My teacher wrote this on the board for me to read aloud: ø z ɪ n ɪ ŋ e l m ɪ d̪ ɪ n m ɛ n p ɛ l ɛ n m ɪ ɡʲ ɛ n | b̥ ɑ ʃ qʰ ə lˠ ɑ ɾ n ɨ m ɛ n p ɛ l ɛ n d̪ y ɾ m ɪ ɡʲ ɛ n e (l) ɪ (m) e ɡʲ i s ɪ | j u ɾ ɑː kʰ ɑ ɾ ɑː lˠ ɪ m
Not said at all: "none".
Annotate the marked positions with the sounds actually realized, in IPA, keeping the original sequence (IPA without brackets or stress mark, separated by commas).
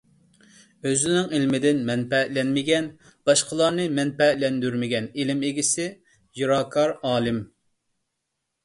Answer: l, m